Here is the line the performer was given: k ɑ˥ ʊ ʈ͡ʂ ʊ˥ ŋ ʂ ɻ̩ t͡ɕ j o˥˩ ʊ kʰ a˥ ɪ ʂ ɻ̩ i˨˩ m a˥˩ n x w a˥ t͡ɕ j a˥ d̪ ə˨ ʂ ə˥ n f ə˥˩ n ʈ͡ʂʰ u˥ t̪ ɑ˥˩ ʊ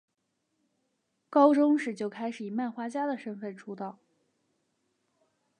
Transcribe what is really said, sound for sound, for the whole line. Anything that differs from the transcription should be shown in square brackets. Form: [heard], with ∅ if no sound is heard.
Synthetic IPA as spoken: k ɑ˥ ʊ ʈ͡ʂ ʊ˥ ŋ ʂ ɻ̩ t͡ɕ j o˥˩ ʊ kʰ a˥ ɪ ʂ ɻ̩ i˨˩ m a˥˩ n x w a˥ t͡ɕ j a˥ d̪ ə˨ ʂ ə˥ n f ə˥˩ n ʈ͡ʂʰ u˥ t̪ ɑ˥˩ ʊ